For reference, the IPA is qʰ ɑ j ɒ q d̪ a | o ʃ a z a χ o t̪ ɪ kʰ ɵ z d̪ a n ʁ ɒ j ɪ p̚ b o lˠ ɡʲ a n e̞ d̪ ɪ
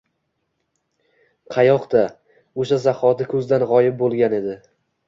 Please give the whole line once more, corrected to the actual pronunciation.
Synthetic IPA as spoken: qʰ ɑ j ɒ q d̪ a | o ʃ a z a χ ɒ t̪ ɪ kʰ ɵ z d̪ a n ʁ ɒ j ɪ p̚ b o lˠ ɡʲ a n e̞ d̪ ɪ